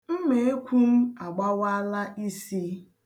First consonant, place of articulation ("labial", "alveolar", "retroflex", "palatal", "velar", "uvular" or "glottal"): labial